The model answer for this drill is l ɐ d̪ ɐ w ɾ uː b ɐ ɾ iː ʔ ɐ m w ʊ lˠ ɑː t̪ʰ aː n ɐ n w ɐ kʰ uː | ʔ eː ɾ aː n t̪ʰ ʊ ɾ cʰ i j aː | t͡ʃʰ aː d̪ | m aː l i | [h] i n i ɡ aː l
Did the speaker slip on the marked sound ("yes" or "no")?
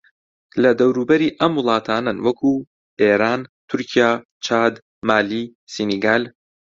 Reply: yes